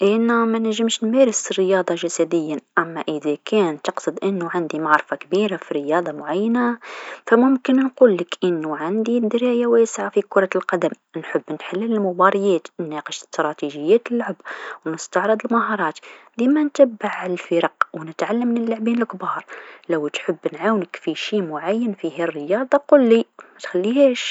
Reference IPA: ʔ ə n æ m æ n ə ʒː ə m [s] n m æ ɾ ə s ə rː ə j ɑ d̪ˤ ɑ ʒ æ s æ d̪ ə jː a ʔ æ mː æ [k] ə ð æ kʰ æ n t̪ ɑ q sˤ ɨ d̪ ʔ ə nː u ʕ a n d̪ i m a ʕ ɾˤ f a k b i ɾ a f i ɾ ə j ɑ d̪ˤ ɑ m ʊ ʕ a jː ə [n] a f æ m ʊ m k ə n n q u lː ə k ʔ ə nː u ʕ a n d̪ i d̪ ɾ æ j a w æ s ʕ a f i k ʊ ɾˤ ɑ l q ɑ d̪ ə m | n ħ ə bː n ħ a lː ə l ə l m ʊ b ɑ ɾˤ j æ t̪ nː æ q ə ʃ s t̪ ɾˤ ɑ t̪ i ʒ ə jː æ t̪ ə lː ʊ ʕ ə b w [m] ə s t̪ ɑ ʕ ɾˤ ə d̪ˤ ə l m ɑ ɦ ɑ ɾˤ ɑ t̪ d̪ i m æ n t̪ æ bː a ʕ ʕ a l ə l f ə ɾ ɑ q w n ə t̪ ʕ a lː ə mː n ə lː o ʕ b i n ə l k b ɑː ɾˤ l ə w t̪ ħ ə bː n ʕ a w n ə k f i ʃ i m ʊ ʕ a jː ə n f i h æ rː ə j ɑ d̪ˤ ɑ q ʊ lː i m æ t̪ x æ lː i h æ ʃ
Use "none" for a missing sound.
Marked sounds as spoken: ʃ, ʔ, n, n

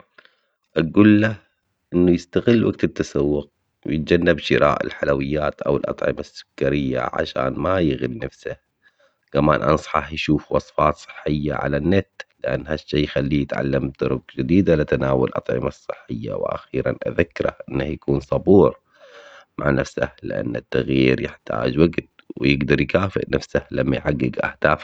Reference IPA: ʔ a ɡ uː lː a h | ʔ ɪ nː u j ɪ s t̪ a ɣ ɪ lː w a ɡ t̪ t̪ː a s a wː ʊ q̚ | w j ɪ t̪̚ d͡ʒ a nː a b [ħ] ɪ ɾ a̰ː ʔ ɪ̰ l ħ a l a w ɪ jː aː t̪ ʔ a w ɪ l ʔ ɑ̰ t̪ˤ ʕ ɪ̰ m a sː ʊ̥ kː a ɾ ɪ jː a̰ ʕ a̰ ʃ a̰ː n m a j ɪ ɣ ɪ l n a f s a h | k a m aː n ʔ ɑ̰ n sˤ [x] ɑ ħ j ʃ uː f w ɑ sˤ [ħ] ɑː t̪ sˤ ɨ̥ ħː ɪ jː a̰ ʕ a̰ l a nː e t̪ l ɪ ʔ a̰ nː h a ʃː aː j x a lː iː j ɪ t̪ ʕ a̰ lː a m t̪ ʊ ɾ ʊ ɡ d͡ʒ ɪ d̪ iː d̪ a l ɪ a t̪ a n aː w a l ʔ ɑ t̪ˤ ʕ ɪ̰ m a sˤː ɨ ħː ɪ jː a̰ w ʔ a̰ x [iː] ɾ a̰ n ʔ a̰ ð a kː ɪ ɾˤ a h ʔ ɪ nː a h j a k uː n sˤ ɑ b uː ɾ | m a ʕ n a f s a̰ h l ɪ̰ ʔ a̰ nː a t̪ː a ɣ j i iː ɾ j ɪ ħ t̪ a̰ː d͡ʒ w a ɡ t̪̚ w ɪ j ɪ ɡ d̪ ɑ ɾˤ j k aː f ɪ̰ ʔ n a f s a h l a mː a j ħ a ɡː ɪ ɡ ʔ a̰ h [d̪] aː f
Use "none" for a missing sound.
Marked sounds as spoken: ʃ, ħ, f, iː, d̪

